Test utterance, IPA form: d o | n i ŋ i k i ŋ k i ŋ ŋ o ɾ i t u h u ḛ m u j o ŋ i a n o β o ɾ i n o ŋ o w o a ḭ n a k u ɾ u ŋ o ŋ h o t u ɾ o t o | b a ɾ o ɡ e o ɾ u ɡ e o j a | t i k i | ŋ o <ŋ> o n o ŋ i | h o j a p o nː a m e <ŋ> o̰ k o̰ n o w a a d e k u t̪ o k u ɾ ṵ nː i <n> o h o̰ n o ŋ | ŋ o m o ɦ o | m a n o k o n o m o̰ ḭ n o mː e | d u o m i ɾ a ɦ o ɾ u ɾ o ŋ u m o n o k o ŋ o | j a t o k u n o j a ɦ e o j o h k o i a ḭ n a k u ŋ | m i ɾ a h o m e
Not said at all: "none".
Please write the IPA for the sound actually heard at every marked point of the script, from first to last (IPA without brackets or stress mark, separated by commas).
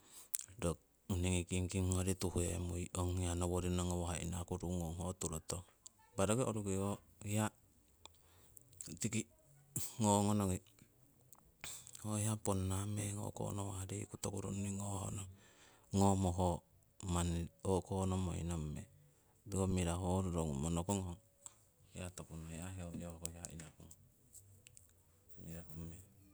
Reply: ŋ, ŋ, ŋ